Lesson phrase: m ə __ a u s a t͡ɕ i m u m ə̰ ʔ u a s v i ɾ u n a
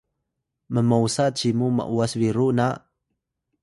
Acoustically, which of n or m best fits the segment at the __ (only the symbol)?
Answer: m